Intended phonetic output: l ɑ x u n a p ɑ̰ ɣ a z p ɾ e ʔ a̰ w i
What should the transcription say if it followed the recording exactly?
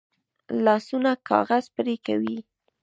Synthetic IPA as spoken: l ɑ s u n a k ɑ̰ ɣ a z p ɾ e k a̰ w i